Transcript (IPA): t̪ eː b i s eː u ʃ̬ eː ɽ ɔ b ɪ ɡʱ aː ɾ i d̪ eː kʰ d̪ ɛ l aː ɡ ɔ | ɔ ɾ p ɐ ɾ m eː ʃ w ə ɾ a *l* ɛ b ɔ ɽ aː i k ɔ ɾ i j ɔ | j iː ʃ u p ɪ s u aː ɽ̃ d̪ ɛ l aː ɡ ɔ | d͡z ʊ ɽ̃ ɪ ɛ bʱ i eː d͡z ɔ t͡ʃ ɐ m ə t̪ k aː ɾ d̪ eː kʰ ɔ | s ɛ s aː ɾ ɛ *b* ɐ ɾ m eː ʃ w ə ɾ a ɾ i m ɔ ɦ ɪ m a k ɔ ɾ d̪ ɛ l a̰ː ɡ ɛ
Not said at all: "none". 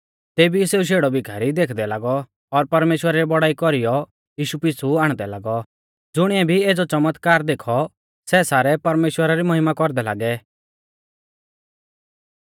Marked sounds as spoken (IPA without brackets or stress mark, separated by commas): ɾ, p